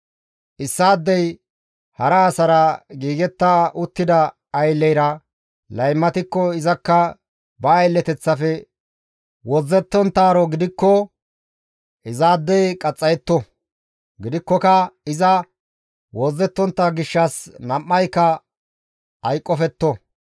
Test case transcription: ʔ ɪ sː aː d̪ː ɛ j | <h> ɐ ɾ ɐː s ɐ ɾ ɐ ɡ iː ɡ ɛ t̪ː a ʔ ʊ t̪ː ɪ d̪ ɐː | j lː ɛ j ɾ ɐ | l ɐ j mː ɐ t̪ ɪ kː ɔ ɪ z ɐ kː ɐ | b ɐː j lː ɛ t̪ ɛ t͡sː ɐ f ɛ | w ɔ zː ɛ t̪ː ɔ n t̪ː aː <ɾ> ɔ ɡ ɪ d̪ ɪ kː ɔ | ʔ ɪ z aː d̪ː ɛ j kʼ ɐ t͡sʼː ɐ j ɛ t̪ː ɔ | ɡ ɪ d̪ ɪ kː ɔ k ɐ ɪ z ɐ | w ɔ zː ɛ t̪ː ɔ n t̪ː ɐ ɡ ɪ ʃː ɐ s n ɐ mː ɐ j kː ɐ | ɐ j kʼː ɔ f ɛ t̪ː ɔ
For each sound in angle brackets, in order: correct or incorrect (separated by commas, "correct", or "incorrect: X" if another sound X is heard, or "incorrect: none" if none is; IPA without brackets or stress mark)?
correct, correct